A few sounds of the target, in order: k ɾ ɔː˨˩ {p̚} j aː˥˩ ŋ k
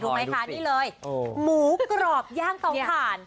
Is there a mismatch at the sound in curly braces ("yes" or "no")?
no